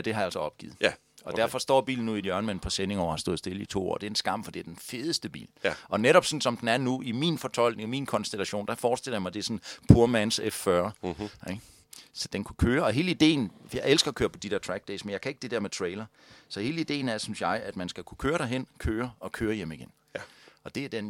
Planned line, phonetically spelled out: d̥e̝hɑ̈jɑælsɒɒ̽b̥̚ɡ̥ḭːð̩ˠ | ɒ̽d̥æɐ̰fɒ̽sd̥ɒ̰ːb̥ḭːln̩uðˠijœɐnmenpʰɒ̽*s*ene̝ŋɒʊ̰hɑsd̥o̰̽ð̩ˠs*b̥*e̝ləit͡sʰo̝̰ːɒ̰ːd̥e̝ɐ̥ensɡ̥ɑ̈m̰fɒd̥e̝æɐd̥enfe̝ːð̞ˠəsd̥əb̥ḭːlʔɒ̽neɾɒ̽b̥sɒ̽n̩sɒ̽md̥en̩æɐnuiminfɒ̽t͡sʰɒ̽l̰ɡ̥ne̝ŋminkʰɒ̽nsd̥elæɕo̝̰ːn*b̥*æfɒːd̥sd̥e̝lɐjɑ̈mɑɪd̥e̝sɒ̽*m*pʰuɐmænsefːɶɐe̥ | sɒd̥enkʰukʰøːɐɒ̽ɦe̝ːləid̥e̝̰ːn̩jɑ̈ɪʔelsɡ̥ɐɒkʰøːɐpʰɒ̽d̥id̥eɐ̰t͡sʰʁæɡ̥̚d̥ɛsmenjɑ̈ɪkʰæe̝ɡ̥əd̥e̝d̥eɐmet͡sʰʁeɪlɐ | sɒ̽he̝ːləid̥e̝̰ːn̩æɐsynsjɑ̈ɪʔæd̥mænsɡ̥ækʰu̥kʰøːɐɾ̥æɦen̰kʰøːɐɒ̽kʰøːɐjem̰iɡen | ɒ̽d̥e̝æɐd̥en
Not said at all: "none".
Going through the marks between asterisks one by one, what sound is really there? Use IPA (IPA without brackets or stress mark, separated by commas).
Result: s, d̥, d̥, n